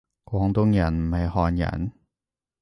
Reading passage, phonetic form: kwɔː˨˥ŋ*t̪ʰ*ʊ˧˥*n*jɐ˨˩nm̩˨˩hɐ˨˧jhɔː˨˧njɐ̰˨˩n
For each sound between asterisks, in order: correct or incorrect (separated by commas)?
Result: incorrect, incorrect